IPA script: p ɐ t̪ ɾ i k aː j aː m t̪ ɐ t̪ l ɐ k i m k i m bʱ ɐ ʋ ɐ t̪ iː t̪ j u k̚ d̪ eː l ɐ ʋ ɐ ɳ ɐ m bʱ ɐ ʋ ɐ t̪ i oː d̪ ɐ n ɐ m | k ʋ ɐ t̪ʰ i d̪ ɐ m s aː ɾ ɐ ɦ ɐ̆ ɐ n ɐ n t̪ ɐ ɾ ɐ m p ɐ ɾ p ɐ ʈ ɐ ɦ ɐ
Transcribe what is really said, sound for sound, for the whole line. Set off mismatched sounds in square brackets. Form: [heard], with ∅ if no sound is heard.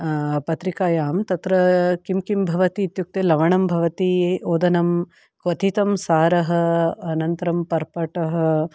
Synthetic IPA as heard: p ɐ t̪ ɾ i k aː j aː m t̪ ɐ t̪ [ɾ] ɐ k i m k i m bʱ ɐ ʋ ɐ t̪ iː t̪ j u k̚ [t̪] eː l ɐ ʋ ɐ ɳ ɐ m bʱ ɐ ʋ ɐ t̪ i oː d̪ ɐ n ɐ m | k ʋ ɐ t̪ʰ i [t̪] ɐ m s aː ɾ ɐ ɦ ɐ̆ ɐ n ɐ n t̪ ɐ ɾ ɐ m p ɐ ɾ p ɐ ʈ ɐ ɦ ɐ